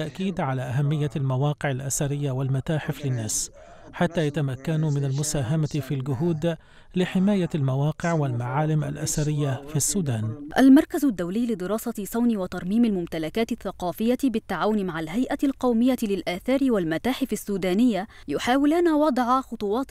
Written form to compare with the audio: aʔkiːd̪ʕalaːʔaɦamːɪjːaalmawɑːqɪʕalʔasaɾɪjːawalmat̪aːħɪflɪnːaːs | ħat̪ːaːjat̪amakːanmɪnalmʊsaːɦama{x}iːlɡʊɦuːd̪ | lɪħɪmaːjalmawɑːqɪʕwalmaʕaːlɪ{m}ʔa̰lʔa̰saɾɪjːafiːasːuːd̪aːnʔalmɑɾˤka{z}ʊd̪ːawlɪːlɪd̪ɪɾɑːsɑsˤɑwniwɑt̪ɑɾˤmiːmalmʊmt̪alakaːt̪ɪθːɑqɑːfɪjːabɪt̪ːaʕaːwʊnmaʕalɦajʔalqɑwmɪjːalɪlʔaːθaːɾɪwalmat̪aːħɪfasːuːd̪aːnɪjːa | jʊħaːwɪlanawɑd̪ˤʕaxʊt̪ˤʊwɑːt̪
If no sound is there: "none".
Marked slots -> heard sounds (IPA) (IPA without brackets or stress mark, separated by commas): f, m, z